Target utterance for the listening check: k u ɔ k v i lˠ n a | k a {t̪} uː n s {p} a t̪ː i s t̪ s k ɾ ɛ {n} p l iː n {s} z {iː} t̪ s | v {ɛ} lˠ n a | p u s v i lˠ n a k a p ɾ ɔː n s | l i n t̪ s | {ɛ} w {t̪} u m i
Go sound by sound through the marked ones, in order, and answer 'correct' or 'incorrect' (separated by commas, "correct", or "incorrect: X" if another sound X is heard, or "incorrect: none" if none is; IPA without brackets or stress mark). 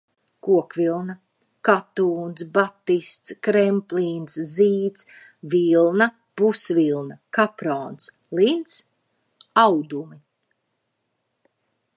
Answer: correct, incorrect: b, incorrect: m, correct, correct, incorrect: i, incorrect: a, incorrect: d̪